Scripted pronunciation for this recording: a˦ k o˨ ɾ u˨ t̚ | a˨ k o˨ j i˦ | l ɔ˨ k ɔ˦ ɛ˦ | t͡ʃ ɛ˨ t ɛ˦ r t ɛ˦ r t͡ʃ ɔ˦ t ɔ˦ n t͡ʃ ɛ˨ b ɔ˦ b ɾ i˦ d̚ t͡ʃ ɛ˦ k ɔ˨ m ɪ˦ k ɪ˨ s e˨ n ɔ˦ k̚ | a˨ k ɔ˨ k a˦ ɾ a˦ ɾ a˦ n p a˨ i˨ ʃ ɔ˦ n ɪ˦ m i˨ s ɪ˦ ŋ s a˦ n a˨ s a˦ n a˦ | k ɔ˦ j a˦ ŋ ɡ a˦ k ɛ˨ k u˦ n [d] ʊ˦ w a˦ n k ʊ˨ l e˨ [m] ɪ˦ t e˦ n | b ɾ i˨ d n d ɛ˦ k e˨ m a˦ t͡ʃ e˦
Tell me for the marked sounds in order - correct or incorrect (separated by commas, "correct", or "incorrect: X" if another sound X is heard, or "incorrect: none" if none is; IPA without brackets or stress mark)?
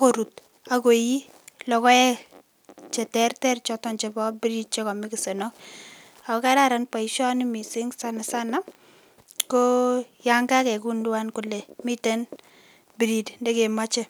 correct, correct